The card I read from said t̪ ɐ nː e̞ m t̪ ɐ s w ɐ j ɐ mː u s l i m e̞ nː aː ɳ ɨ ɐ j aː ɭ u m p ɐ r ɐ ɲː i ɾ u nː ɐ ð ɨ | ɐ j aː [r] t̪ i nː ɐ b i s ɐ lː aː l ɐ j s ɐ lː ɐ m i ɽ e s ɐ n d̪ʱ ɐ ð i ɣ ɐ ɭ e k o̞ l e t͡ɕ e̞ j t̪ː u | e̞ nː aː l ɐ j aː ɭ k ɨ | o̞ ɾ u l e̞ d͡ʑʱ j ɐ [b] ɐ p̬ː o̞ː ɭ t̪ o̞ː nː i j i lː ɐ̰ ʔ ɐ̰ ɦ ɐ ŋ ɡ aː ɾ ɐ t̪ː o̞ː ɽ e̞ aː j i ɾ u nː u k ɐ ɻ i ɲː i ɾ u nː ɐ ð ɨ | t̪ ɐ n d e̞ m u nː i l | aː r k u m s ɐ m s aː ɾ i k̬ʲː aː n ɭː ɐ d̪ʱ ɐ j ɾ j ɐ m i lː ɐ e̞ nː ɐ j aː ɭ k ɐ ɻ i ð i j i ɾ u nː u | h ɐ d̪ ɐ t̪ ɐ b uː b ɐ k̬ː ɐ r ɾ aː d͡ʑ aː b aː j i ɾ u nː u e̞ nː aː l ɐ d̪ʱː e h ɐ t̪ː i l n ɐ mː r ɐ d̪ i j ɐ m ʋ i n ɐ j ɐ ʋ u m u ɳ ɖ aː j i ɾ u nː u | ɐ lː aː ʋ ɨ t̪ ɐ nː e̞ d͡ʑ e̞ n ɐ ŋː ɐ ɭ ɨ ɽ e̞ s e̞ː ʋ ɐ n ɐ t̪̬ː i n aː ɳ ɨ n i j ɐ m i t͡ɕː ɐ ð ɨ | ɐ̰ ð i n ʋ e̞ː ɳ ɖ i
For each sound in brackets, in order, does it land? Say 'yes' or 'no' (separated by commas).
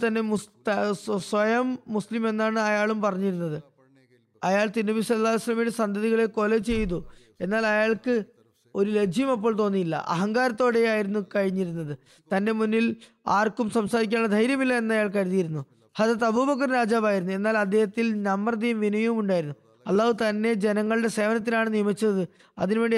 no, no